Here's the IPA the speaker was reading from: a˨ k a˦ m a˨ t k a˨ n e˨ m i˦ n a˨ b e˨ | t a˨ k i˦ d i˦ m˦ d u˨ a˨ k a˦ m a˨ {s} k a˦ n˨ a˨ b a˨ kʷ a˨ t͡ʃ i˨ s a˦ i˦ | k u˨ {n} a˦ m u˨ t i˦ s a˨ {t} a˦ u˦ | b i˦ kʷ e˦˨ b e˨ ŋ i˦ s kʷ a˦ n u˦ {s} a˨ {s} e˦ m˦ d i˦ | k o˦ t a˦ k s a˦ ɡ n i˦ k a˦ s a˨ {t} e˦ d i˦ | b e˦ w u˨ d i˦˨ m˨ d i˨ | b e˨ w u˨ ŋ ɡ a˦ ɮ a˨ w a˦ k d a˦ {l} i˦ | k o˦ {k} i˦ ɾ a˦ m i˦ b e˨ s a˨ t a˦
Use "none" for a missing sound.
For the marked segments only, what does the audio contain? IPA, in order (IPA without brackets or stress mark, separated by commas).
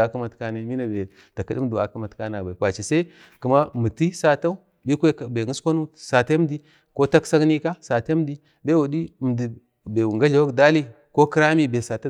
t, m, t, s, t, t, l, k